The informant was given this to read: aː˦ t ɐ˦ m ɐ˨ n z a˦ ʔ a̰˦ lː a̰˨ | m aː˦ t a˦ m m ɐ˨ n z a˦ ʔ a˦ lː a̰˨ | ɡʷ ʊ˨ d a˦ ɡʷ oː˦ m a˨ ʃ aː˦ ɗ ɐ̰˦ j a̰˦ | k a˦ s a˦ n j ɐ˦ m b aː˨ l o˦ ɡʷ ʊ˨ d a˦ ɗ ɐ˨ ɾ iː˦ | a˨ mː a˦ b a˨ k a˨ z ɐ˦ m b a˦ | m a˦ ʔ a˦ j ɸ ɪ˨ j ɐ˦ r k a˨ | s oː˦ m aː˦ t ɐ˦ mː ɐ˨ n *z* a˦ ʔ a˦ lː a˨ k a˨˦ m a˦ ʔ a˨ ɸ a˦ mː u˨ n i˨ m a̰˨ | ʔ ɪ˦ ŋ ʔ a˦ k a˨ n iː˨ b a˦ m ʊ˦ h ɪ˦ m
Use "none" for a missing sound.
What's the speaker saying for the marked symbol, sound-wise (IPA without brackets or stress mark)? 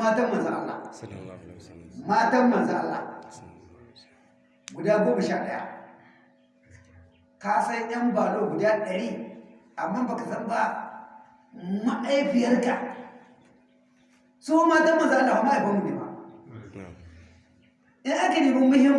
z